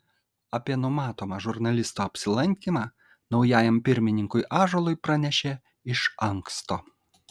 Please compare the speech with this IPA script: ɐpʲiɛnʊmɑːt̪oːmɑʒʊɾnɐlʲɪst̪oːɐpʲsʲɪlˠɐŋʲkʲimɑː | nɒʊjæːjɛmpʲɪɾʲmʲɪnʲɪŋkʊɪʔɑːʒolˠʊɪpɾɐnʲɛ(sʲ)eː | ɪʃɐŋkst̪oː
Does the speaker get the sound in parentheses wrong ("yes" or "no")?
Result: yes